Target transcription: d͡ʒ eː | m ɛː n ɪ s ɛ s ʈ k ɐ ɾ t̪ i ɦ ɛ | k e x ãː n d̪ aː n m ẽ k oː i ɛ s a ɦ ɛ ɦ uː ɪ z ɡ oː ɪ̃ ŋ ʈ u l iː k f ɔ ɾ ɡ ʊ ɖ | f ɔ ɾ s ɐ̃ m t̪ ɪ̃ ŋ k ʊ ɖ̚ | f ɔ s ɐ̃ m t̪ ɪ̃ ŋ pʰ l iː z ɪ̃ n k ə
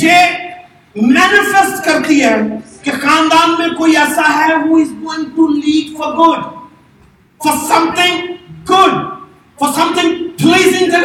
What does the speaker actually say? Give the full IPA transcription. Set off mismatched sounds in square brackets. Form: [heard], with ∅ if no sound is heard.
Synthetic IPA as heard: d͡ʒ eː | m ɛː n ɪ [f] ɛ s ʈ k ɐ ɾ t̪ i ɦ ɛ | k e x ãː n d̪ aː n m ẽ k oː i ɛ s a ɦ ɛ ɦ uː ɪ z ɡ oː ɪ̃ ŋ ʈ u l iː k f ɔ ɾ ɡ ʊ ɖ | f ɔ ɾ s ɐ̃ m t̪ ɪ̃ ŋ [ɡ] ʊ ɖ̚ | f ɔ s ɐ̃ m t̪ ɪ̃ ŋ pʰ l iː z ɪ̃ [ŋ] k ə